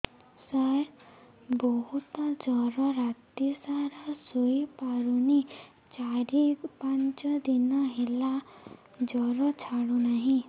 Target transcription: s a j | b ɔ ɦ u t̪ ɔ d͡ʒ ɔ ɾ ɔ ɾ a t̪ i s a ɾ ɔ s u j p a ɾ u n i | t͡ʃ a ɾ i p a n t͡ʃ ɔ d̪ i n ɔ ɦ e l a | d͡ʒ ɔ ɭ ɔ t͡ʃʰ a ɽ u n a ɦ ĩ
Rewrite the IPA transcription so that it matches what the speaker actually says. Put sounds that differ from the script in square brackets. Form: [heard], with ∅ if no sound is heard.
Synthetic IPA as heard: s a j | b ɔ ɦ u t̪ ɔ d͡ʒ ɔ ɾ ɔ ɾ a t̪ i s a ɾ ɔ s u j p a ɾ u n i | t͡ʃ a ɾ i p a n t͡ʃ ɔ d̪ i n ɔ ɦ e l a | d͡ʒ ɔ [ɾ] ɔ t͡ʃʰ a ɽ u n a ɦ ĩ